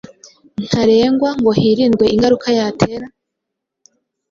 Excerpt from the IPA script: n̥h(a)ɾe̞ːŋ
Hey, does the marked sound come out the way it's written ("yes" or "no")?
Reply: yes